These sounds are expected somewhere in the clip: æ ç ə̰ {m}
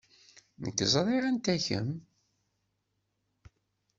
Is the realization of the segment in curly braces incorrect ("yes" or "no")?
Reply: no